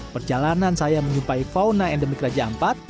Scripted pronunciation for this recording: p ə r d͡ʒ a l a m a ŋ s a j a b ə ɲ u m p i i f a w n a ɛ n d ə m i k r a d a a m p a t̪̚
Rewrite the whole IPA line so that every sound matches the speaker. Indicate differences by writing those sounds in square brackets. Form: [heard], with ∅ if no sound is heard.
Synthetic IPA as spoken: p ə r d͡ʒ a l a [n] a [n] s a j a [m] ə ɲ u m p [a] i f a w n a ɛ n d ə m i k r a [d͡ʒ] a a m p a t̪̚